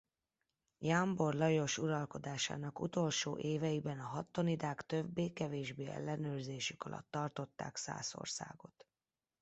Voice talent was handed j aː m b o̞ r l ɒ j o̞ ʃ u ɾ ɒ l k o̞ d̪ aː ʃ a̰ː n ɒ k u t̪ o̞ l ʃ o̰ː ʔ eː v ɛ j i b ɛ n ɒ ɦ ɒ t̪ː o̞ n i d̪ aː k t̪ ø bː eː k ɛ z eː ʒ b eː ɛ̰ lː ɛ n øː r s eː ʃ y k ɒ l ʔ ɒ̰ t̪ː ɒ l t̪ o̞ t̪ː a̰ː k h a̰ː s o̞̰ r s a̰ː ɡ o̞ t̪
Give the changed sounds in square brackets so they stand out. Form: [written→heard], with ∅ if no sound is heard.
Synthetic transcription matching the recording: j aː m b o̞ r l ɒ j o̞ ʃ u ɾ ɒ l k o̞ d̪ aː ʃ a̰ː n ɒ k u t̪ o̞ l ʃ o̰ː ʔ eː v ɛ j i b ɛ n ɒ ɦ ɒ t̪ː o̞ n i d̪ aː k t̪ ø bː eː k ɛ [z→v] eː ʒ b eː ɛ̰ lː ɛ n øː r [s→z] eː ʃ y k ɒ l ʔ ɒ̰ t̪ː ɒ [l→r] t̪ o̞ t̪ː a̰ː k [h→s] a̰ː s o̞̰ r s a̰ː ɡ o̞ t̪